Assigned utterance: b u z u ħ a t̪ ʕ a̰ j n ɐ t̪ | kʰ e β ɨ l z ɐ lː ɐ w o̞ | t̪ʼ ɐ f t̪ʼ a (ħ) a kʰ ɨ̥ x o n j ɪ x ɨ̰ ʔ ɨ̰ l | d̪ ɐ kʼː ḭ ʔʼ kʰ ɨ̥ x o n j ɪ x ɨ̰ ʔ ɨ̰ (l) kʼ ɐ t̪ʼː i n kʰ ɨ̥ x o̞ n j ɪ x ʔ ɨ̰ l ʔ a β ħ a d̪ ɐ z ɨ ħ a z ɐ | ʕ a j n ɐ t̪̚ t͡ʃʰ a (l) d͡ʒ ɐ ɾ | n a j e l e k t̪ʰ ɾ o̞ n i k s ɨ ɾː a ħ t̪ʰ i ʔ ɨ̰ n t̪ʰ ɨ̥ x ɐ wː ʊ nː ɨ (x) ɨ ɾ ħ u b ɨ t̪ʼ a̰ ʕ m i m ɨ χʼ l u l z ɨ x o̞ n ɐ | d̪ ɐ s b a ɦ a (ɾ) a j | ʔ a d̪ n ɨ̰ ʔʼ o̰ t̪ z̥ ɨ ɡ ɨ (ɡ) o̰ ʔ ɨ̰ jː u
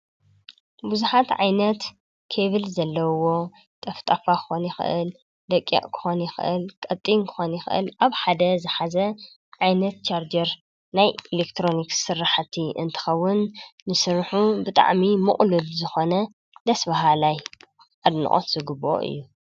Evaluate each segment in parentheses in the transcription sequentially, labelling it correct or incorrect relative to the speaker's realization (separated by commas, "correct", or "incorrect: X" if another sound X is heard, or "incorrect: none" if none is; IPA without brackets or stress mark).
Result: incorrect: f, correct, incorrect: ɾ, incorrect: s, incorrect: l, incorrect: b